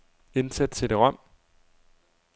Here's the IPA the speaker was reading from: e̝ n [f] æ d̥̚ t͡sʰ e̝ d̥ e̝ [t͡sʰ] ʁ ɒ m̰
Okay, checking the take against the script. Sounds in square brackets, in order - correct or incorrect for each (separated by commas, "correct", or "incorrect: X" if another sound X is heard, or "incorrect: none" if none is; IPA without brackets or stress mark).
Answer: incorrect: s, incorrect: none